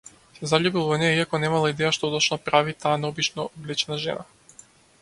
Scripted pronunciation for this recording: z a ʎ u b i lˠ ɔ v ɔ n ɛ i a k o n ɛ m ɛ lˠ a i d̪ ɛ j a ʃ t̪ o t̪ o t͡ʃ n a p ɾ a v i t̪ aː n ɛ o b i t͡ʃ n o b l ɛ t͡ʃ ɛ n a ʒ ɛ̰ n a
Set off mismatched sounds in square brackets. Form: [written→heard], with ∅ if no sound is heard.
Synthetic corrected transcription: z a ʎ u b i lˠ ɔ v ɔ n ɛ i a k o n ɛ m [ɛ→a] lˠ a i d̪ ɛ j a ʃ t̪ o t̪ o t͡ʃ n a p ɾ a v i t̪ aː n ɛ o b i t͡ʃ n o b l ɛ t͡ʃ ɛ n a ʒ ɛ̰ n a